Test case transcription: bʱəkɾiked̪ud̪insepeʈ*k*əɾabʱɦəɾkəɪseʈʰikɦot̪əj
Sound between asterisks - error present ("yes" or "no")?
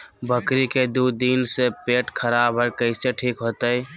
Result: yes